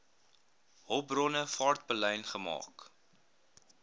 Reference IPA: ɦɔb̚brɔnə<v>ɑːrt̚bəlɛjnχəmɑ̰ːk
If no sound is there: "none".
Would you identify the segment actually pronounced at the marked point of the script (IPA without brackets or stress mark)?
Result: f